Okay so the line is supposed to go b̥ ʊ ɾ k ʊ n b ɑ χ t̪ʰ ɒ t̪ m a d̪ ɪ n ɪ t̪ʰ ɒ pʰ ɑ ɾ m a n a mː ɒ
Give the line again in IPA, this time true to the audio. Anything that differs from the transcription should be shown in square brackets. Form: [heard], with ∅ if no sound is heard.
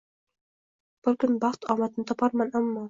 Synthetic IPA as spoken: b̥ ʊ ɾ k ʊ n b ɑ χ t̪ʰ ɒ [∅] m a [t̪] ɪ n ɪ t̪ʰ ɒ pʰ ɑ ɾ m a n a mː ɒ